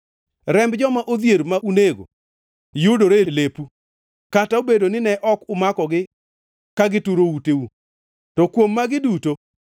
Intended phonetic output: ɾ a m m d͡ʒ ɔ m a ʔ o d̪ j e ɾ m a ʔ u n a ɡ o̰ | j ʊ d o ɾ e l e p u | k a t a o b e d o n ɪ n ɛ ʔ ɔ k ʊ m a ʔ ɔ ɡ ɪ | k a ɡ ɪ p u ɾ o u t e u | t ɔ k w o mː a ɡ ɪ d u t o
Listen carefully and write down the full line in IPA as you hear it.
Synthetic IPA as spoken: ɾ ɛ m b d͡ʒ ɔ m a ʔ o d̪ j e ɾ m a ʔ u n e ɡ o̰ | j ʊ d o ɾ e l e p u | k a t a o b e d o n ɪ n ɛ ʔ ɔ k ʊ m a k ɔ ɡ ɪ | k a ɡ ɪ t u ɾ o u t e u | t ɔ k w o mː a ɡ ɪ d u t o